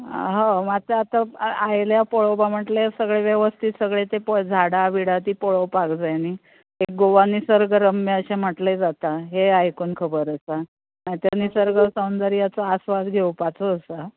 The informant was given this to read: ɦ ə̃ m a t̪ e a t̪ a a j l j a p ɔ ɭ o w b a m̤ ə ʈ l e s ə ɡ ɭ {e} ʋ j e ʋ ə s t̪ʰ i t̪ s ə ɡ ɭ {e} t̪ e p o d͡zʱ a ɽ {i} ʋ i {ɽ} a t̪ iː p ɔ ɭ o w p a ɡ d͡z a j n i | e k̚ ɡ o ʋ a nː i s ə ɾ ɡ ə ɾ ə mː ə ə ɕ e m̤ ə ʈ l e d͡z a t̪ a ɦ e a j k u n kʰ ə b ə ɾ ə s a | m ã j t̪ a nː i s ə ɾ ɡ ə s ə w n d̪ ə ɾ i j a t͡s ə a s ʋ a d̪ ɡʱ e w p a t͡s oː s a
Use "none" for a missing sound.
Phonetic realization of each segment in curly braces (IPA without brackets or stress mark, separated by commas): e, e, a, ɽ